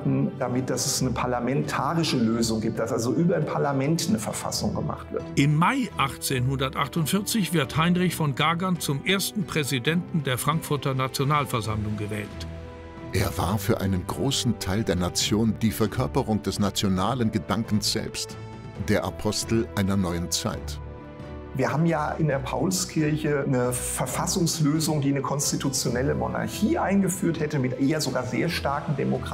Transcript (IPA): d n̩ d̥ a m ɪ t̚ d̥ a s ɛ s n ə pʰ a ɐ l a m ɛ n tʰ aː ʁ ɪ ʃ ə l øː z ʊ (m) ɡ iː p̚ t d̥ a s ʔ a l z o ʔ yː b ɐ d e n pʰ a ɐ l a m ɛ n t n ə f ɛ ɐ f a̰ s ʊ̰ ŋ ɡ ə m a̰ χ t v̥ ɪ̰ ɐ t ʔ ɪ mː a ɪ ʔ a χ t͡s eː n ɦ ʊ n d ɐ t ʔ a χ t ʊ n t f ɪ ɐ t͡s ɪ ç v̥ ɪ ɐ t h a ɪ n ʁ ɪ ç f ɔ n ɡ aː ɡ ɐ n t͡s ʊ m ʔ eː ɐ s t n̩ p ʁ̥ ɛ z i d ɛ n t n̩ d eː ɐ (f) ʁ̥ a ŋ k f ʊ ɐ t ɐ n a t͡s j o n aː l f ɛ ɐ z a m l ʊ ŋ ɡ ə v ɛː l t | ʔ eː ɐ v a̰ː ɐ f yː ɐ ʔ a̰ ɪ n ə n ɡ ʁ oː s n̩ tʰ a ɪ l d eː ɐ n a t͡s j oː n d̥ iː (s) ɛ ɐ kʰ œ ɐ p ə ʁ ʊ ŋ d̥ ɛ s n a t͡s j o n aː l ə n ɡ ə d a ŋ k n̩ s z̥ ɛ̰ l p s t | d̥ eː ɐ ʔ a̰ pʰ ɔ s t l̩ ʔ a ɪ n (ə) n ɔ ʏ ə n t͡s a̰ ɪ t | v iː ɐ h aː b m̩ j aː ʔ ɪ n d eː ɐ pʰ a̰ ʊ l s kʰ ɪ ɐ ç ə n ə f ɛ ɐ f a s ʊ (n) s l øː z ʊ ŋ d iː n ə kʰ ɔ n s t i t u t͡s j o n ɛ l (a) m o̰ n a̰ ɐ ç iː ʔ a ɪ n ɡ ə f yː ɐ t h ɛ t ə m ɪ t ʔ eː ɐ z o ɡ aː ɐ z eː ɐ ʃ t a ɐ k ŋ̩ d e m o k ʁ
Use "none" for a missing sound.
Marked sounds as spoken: ŋ, f, f, ɐ, ŋ, ə

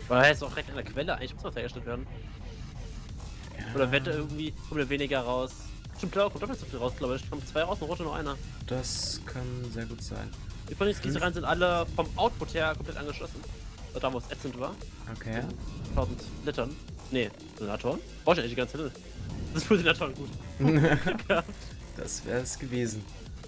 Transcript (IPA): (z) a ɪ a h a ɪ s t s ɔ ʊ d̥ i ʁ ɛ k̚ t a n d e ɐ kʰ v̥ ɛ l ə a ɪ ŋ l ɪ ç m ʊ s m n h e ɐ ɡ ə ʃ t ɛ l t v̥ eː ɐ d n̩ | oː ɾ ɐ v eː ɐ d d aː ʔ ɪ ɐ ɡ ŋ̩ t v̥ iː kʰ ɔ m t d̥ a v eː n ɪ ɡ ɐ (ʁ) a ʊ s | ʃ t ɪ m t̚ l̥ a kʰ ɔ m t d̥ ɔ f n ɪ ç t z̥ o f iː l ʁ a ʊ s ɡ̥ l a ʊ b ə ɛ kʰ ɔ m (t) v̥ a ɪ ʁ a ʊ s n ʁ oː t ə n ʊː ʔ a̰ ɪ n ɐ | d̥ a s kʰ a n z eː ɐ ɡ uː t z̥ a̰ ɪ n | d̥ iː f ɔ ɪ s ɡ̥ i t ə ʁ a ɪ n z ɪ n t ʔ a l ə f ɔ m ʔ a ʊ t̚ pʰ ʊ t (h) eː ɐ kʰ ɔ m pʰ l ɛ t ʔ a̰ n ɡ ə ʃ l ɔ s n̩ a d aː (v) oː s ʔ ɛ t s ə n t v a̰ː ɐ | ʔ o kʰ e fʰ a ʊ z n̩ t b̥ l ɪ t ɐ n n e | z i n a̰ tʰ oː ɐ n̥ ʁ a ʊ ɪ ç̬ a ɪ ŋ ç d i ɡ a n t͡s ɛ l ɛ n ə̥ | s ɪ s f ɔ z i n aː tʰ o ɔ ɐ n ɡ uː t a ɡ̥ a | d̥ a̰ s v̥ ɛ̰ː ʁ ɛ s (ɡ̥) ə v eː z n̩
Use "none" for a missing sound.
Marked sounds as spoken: v, ʁ, t͡s, h, v, ɡ̥

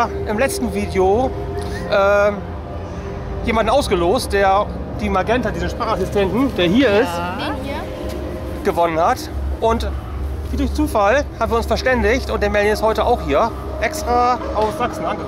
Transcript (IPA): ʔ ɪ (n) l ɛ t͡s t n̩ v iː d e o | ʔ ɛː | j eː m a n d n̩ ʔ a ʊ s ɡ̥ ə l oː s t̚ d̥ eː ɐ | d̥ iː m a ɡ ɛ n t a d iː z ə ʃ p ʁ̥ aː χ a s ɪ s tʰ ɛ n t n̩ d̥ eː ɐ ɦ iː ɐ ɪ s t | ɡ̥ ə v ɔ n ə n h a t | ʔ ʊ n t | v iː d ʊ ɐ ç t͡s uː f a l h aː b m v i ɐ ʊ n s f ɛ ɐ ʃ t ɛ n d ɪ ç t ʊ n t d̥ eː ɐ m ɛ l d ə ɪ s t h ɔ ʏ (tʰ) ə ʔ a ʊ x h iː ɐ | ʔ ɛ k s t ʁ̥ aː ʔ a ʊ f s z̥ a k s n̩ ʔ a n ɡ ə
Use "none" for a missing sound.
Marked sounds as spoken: m, t

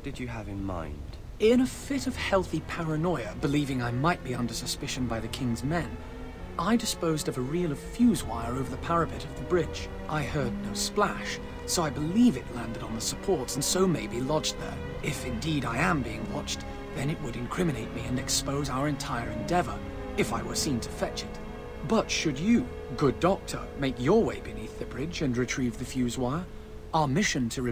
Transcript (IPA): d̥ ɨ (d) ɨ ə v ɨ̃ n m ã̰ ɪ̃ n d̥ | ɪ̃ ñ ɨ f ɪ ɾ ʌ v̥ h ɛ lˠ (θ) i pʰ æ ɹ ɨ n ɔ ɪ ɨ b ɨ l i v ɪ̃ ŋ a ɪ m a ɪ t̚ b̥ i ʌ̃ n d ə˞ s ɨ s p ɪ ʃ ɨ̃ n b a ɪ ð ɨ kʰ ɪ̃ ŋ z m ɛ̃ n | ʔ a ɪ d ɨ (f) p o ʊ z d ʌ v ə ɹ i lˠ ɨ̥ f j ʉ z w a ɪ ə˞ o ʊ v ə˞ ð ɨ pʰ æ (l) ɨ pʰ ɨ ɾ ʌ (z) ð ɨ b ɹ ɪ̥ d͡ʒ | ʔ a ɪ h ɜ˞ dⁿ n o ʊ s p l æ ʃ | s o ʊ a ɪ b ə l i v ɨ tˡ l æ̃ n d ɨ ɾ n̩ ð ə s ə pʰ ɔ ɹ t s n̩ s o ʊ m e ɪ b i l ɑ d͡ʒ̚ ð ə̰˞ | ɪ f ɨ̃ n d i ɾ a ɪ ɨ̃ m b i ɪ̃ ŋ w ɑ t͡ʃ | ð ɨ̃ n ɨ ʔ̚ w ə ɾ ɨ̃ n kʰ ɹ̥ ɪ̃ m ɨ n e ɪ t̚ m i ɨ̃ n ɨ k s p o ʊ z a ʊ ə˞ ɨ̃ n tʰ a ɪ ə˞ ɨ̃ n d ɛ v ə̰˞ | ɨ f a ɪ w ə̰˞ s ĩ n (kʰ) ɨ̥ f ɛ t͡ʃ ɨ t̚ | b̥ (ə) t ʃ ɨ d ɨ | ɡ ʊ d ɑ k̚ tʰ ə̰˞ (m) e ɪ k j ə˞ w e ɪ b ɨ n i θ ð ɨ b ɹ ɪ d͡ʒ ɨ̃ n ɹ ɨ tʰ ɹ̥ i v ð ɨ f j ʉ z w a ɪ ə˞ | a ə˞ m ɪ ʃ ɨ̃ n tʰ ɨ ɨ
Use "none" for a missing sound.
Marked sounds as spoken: d͡ʒ, θ, s, ɹ, v, tʰ, ʌ, m

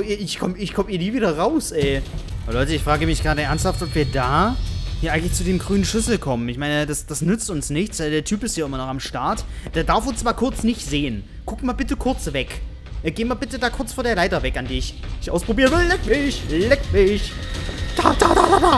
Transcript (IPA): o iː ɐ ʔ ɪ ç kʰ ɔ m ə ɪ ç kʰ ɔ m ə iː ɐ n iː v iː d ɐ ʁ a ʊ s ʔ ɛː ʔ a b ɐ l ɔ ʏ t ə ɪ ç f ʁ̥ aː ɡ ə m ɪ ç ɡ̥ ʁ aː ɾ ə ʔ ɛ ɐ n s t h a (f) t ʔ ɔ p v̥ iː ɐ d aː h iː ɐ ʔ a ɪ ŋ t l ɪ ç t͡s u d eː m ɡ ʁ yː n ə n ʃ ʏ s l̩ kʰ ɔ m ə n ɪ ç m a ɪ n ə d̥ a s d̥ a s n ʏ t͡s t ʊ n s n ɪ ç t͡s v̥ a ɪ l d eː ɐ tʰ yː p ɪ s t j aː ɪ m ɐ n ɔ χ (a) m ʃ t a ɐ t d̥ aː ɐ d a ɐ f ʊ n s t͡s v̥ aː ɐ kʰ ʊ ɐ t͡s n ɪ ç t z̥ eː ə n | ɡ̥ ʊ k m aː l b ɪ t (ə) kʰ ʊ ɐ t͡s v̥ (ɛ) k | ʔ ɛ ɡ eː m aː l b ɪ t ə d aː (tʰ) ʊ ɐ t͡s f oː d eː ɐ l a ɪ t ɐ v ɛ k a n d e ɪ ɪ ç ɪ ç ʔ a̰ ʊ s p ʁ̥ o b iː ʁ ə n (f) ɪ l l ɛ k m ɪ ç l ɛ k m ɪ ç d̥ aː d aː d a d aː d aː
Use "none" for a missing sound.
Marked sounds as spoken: f, a, ə, ɛ, kʰ, v

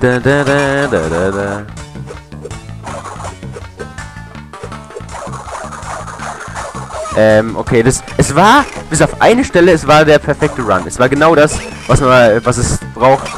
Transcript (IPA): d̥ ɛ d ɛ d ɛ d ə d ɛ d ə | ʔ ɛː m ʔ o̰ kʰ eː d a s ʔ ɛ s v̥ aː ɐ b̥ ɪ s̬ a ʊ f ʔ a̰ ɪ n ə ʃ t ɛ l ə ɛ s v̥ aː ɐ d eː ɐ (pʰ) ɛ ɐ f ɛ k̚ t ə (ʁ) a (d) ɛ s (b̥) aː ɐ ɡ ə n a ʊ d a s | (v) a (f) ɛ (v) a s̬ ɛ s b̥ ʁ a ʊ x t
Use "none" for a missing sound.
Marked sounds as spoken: pʰ, ʁ, n, v̥, v, s, v

